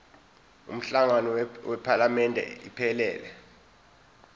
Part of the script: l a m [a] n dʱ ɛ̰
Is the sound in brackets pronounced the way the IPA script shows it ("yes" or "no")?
no